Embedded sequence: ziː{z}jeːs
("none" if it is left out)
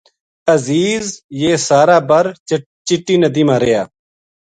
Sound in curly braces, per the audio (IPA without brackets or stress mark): z